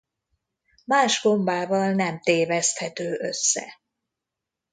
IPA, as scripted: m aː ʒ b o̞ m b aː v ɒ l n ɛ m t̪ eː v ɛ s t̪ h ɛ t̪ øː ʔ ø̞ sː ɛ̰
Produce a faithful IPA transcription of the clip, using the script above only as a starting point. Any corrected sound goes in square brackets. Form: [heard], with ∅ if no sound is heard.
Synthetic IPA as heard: m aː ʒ [ɡ] o̞ m b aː v ɒ l n ɛ m t̪ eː v ɛ s t̪ h ɛ t̪ øː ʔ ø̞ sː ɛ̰